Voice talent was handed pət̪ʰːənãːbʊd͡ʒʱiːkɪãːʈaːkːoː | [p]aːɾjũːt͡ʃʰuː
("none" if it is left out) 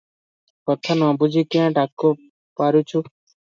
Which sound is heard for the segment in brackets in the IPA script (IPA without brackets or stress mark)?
p